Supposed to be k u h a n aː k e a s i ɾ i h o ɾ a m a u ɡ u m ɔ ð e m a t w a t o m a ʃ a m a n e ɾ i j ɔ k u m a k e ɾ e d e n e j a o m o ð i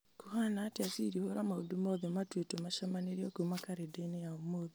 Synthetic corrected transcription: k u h a n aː t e a s i ɾ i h o ɾ a m a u d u m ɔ ð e m a t w e t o m a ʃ a m a n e ɾ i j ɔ k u m a k a ɾ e d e n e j a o m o ð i